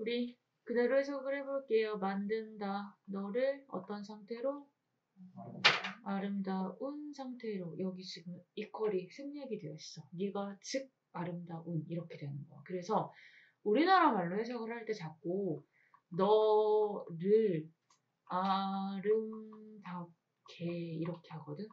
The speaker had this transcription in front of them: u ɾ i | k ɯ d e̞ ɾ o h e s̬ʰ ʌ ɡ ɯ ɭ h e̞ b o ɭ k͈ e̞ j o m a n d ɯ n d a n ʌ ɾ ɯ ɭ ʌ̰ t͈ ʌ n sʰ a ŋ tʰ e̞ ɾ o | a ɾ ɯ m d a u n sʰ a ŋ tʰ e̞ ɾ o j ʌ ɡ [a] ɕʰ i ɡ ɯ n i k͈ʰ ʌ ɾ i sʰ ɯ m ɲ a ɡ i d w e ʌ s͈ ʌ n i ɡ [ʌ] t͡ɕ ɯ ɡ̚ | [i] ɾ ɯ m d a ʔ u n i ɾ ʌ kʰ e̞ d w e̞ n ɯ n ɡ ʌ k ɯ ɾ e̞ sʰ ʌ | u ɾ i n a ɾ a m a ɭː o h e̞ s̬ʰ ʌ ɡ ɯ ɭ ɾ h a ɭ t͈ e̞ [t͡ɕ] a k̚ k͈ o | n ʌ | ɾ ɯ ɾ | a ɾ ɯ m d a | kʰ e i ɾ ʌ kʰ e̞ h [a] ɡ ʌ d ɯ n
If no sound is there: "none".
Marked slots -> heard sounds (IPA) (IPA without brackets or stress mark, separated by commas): i, a, a, t͡ɕ, a